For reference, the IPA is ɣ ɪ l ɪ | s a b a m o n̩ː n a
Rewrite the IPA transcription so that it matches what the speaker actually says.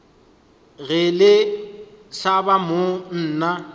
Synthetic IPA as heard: ɣ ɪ l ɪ | s a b a m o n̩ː n a